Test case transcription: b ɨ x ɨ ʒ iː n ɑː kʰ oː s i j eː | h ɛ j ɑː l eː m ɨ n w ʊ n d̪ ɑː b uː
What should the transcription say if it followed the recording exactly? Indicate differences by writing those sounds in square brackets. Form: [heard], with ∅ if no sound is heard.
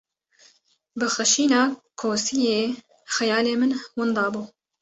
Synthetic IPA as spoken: b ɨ x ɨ [ʃ] iː n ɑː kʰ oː s i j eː | [x] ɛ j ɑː l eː m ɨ n w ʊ n d̪ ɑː b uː

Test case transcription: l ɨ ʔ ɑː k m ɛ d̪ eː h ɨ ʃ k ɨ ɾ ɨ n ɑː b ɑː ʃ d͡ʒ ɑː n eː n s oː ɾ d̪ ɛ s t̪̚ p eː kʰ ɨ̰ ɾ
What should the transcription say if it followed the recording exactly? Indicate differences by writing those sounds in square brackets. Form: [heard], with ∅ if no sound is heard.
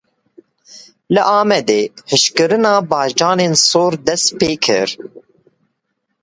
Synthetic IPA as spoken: l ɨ ʔ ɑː [∅] m ɛ d̪ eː h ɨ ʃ k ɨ ɾ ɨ n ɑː b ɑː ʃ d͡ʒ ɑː n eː n s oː ɾ d̪ ɛ s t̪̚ p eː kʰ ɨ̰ ɾ

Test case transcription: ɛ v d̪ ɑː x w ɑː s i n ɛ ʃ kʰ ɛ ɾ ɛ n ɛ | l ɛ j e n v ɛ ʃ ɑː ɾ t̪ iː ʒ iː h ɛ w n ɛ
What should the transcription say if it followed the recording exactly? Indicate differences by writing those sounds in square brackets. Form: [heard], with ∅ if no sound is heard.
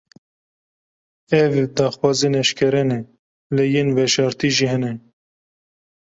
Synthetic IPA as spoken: ɛ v d̪ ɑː x w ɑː [z] i n ɛ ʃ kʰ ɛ ɾ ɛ n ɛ | l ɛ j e n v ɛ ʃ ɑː ɾ t̪ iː ʒ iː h ɛ [∅] n ɛ

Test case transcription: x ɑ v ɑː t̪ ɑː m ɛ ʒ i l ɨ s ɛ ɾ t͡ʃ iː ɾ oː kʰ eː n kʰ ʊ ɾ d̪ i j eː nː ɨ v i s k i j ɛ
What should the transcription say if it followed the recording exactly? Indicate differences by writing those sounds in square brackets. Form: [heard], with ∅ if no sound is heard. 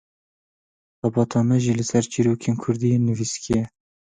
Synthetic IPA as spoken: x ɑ [b] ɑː t̪ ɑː m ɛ ʒ i l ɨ s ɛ ɾ t͡ʃ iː ɾ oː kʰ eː n kʰ ʊ ɾ d̪ i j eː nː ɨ v i s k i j ɛ

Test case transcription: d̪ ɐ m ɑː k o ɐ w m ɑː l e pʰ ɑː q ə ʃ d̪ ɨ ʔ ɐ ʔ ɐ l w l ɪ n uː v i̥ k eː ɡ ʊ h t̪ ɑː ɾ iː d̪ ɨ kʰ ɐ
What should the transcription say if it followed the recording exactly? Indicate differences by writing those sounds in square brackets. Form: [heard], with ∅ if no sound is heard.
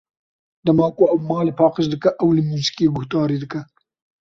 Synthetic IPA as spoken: d̪ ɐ m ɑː k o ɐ w m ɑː l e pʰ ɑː q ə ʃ d̪ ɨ [k] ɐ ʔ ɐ [∅] w l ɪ [m] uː [z] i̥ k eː ɡ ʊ h t̪ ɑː ɾ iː d̪ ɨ [k] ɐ

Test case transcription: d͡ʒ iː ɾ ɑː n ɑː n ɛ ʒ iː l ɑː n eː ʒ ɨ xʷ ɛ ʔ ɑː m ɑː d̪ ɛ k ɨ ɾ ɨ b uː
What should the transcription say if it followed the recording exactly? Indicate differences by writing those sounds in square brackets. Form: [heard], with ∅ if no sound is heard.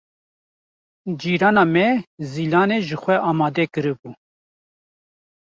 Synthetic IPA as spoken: d͡ʒ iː ɾ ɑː n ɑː [m] ɛ [z] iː l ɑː n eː ʒ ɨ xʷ ɛ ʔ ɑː m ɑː d̪ ɛ k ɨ ɾ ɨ b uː

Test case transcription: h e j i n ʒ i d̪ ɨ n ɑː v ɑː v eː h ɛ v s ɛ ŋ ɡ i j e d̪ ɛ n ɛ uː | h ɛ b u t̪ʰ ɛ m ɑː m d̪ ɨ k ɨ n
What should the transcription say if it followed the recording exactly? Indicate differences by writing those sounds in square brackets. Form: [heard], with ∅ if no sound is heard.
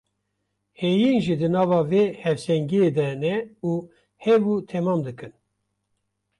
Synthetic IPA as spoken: h e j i n ʒ i d̪ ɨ n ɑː v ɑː v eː h ɛ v s ɛ ŋ ɡ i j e d̪ ɛ n ɛ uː | h ɛ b u t̪ʰ ɛ m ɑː m d̪ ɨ k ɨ n

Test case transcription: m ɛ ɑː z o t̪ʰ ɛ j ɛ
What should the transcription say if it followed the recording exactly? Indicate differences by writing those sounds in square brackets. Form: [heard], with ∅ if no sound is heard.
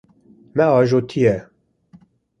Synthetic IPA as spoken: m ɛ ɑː [ʒ] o t̪ʰ [i] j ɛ

